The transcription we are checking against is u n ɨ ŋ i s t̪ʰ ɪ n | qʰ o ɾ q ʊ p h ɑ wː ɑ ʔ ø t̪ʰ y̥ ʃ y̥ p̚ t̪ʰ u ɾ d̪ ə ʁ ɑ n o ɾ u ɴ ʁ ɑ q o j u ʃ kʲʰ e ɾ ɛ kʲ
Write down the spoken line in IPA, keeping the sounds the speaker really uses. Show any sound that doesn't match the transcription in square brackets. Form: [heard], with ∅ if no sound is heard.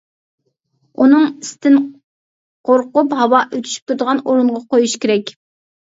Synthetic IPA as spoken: u n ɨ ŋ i s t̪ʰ ɪ n | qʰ o ɾ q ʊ p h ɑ [w] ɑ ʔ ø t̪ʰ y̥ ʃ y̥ p̚ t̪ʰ u ɾ d̪ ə ʁ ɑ n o ɾ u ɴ ʁ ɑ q o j u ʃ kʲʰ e ɾ ɛ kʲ

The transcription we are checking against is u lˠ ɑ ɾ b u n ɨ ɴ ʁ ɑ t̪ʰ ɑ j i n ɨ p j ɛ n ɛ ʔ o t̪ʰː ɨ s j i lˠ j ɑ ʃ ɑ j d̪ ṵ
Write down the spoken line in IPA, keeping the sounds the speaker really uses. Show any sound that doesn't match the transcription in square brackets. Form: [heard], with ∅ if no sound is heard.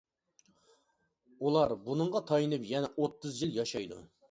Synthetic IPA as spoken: u lˠ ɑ ɾ b u n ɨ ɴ ʁ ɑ t̪ʰ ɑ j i n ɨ p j ɛ n ɛ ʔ o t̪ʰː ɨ [z] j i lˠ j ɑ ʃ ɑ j d̪ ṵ

